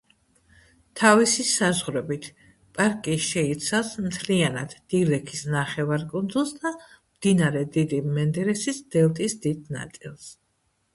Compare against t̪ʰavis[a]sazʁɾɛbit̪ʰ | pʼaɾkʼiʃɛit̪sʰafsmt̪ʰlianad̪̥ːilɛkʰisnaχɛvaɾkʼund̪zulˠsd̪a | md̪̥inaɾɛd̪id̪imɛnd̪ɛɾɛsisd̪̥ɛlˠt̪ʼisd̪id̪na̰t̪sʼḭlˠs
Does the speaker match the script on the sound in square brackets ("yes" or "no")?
no